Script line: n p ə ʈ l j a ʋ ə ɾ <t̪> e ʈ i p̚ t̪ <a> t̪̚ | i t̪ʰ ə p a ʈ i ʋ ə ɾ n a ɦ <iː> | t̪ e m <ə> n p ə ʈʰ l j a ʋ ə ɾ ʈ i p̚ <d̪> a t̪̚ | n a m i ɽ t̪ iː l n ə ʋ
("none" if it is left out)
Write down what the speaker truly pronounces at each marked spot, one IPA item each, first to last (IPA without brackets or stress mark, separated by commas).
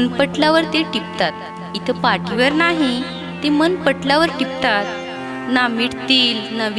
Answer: t̪, a, i, ə, t̪